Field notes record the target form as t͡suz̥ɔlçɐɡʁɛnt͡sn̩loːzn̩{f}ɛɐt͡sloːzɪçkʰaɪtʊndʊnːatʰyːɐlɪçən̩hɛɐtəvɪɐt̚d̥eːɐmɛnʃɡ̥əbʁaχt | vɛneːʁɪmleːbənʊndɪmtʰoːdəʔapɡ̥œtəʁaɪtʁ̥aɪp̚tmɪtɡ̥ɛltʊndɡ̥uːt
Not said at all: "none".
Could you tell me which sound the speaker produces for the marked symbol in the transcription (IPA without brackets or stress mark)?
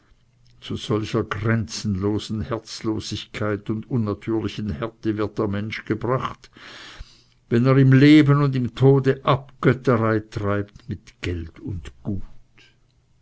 h